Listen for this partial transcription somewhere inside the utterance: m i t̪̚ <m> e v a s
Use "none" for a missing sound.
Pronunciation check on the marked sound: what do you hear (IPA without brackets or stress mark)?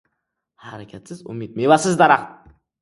m